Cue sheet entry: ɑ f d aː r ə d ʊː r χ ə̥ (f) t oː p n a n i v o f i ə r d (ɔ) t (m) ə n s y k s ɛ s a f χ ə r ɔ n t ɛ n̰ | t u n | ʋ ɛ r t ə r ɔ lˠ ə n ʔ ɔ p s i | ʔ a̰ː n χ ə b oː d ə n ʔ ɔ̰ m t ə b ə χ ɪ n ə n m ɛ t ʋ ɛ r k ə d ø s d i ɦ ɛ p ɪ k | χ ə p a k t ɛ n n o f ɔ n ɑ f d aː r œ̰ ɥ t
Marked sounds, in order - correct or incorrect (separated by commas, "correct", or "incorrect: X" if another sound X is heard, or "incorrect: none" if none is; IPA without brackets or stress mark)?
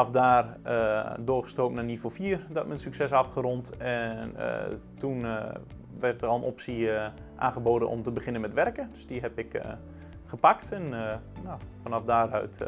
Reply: incorrect: s, correct, correct